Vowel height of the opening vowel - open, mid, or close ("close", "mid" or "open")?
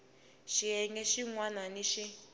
close